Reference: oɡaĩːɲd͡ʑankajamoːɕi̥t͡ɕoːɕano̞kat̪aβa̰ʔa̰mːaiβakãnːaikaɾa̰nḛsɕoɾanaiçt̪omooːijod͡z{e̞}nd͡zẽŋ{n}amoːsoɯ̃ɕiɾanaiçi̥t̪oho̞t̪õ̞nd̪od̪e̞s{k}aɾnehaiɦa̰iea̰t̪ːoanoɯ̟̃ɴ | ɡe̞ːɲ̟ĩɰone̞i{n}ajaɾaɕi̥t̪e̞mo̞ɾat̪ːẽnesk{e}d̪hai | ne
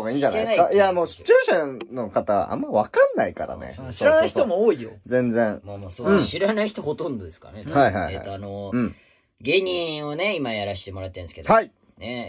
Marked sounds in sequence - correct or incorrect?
incorrect: ẽ̞, incorrect: m, correct, incorrect: m, correct

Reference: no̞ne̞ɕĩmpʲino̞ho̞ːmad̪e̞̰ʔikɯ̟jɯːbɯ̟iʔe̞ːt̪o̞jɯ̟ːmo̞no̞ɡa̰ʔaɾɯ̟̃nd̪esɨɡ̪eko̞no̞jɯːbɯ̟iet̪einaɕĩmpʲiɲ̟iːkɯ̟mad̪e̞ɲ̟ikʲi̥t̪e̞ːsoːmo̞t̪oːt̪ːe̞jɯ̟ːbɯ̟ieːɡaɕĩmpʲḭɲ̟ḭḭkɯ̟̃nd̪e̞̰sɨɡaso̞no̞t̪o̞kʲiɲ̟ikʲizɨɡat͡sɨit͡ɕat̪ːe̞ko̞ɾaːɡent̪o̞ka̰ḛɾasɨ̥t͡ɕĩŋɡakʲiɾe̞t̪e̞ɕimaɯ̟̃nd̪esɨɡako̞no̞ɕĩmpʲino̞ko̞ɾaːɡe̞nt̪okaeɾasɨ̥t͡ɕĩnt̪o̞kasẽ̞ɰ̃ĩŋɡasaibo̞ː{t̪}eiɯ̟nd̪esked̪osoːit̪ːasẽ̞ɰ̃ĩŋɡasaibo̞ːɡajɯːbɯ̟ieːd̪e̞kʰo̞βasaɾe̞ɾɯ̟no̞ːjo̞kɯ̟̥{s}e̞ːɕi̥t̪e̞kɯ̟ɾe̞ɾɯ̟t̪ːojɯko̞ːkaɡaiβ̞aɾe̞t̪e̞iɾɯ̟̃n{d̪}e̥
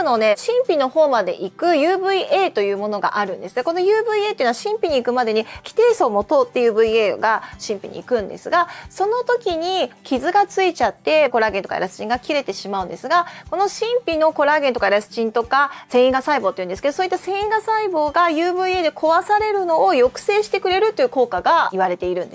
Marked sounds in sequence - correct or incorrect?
correct, correct, correct

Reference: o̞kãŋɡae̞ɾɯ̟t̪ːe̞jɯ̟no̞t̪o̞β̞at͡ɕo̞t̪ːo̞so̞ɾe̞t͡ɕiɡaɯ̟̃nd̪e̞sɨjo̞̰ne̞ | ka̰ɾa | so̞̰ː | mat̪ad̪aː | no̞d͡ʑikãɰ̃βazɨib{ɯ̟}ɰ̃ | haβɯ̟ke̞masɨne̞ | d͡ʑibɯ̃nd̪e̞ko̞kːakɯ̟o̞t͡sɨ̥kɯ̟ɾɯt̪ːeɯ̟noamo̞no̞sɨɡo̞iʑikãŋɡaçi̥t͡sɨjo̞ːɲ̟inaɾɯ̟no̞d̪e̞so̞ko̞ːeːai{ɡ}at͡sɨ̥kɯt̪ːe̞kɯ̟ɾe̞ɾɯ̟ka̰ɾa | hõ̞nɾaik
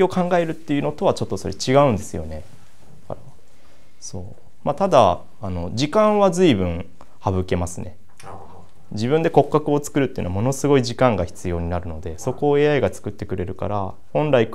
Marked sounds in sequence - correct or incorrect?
incorrect: ɯ̟̃, correct

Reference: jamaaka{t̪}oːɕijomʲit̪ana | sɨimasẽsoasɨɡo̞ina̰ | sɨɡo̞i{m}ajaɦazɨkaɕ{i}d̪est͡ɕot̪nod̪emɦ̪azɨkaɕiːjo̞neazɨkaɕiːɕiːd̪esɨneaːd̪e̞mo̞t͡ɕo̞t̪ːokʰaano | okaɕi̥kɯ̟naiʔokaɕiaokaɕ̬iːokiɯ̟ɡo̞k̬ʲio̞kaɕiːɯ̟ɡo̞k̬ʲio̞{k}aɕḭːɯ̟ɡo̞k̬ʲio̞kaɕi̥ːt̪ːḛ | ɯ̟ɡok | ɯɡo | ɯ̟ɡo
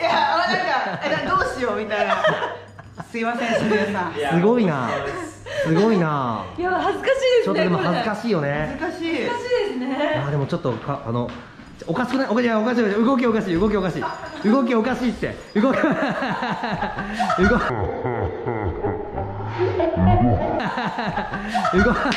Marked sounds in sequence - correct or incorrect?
incorrect: d̪, incorrect: n, incorrect: iː, correct

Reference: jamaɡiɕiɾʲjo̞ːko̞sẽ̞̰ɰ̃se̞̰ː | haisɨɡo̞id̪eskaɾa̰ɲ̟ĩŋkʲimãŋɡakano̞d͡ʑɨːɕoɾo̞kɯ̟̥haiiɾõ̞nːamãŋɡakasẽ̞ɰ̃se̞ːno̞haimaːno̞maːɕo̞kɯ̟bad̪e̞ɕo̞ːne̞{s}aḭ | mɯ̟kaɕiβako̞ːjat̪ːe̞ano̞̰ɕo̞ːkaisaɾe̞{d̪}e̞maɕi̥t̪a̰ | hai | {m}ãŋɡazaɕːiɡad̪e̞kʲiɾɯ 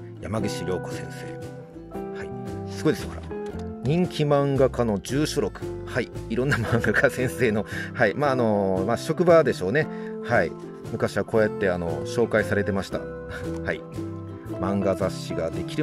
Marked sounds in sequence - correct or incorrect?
incorrect: h, incorrect: t̪, correct

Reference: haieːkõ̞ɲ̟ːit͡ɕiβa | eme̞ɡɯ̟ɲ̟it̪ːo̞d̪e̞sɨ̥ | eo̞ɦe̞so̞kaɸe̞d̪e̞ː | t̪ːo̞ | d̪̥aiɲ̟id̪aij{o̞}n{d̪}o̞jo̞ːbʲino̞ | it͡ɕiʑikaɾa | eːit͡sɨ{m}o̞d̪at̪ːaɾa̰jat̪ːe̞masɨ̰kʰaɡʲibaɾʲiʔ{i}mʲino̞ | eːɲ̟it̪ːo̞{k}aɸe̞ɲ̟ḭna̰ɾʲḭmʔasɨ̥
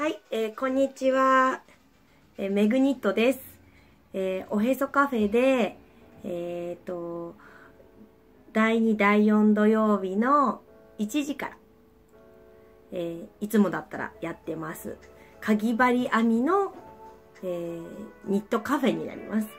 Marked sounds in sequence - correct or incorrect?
incorrect: õ̞, correct, correct, incorrect: a, correct

